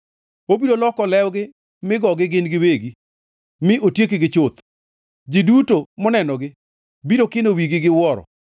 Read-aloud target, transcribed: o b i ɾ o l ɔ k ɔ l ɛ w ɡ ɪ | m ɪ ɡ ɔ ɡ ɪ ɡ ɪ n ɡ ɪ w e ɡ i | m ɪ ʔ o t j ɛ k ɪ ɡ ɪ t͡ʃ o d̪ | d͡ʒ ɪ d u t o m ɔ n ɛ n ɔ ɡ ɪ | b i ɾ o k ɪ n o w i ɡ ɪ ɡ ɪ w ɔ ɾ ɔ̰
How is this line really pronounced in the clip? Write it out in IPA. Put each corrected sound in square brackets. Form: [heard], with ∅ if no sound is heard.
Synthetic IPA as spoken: o b i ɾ o l ɔ k ɔ l ɛ w ɡ ɪ | m ɪ ɡ ɔ ɡ ɪ ɡ ɪ n ɡ ɪ w e ɡ i | m ɪ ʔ o t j [e] k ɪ ɡ ɪ t͡ʃ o [t̪] | d͡ʒ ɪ d u t o m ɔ n ɛ n ɔ ɡ ɪ | b i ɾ o k ɪ n o w i ɡ ɪ ɡ ɪ w ɔ ɾ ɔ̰